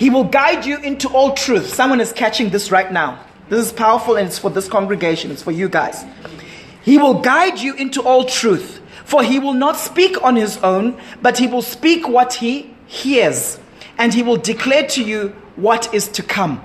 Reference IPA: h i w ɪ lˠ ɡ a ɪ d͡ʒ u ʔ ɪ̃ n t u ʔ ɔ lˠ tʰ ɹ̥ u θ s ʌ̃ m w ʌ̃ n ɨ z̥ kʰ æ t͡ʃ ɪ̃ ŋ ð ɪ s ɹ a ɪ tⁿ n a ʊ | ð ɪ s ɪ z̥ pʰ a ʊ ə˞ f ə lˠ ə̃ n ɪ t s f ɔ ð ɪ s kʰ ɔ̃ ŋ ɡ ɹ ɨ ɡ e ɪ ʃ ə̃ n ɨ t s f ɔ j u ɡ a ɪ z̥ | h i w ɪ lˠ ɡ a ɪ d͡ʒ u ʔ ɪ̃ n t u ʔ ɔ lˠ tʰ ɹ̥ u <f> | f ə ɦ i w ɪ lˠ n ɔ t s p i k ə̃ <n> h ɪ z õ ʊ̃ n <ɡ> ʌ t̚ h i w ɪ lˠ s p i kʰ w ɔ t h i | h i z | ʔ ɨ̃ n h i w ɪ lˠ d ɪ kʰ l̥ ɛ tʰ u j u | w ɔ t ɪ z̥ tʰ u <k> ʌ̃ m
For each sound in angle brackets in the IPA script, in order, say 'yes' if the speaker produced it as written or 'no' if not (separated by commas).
no, yes, no, no